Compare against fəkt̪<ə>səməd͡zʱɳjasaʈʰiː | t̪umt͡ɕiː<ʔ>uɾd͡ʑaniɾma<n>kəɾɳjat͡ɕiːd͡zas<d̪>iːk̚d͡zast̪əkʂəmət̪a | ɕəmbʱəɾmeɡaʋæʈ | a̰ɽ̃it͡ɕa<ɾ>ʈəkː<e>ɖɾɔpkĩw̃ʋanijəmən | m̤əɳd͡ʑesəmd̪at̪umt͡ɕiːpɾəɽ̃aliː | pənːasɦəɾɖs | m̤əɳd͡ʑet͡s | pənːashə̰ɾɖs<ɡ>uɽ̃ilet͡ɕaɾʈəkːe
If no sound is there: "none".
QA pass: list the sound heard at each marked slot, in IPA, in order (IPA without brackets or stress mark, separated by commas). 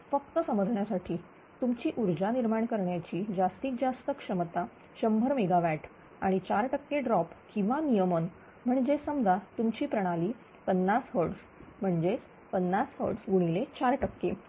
ə, ʔ, ɳ, t̪, ɾ, e, ɡ